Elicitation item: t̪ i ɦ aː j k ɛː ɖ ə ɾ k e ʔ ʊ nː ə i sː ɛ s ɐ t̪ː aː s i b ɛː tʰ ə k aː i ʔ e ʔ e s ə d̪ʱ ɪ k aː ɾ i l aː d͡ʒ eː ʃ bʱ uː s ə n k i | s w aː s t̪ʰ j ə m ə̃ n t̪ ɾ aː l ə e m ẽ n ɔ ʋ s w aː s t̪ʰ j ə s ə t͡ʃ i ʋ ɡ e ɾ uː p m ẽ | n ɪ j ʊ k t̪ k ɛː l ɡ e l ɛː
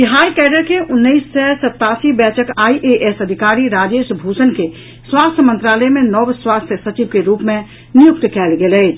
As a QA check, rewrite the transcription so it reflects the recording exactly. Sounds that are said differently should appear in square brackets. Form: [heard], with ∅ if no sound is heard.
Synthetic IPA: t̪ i ɦ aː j k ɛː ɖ ə ɾ k e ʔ ʊ nː ə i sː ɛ s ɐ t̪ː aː s i b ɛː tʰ ə k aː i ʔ e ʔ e s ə d̪ʱ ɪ k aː ɾ i [ɾ] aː d͡ʒ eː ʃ bʱ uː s ə n k [e] | s w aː s t̪ʰ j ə m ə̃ n t̪ ɾ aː l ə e m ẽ n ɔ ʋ s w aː s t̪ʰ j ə s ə t͡ʃ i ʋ [k] e ɾ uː p m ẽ | n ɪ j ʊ k t̪ k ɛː l ɡ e l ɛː